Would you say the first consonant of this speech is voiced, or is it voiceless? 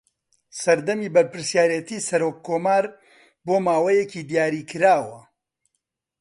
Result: voiceless